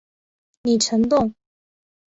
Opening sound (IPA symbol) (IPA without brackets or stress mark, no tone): n